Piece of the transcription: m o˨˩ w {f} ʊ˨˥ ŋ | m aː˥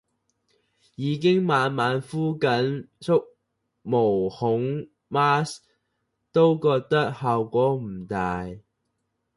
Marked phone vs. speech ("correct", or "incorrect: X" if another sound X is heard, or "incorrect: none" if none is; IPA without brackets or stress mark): incorrect: h